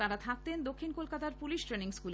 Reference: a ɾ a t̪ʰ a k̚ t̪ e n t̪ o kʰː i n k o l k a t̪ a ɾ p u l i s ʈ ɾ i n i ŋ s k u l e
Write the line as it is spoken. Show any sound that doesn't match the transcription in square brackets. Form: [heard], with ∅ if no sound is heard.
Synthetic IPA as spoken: a ɾ a t̪ʰ a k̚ t̪ e n [d̪] o kʰː i n k o l k a t̪ a ɾ p u l i [ʃ] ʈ ɾ [e] n i ŋ s k u l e